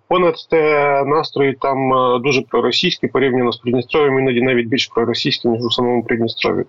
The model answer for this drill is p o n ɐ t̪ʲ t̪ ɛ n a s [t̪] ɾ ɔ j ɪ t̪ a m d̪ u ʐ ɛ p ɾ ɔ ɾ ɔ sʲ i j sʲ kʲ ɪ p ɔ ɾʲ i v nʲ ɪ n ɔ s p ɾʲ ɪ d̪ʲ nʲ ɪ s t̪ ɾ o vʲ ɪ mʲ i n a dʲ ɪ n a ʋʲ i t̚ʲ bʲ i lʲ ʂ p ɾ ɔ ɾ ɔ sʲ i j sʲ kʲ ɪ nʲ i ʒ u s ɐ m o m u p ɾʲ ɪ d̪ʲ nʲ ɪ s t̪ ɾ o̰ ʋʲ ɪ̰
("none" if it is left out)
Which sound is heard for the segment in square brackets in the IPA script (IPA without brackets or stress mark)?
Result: t̪